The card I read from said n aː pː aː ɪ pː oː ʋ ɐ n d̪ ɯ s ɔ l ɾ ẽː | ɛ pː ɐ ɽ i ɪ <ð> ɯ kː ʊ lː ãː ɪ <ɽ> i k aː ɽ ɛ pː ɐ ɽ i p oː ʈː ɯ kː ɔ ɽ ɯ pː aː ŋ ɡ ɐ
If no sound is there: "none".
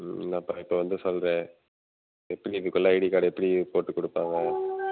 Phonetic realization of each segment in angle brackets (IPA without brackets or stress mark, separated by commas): ð, ɽ